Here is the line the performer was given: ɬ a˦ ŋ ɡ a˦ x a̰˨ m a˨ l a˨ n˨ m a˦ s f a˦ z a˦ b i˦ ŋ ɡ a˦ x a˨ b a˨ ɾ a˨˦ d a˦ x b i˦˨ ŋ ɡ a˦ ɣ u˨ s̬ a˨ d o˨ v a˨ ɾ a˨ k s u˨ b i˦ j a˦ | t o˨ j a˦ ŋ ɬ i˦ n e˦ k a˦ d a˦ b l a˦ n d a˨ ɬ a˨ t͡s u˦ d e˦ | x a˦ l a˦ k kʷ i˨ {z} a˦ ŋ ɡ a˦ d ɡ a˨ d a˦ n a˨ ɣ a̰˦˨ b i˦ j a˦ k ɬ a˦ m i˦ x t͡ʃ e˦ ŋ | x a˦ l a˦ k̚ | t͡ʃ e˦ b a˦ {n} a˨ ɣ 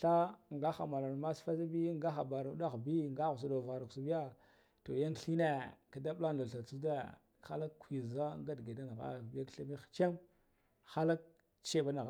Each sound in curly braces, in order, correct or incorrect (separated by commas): correct, correct